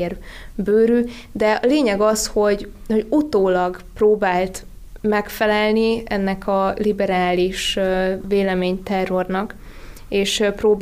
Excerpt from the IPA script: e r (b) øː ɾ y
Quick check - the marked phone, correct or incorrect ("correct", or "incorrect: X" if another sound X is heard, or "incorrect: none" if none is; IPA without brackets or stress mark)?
correct